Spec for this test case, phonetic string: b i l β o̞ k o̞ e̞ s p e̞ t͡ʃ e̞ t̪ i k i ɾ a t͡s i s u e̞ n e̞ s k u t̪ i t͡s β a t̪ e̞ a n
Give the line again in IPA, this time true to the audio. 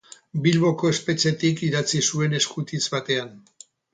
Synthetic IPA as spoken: b i l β o̞ k o̞ e̞ s p e̞ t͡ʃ e̞ t̪ i k i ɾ a t͡s i s u e̞ n e̞ s k u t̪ i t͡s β a t̪ e̞ a n